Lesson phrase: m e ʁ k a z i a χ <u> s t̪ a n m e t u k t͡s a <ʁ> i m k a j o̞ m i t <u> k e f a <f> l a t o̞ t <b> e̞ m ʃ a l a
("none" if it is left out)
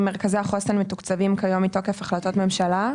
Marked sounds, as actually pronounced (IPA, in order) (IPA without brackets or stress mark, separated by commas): o, v, o, χ, m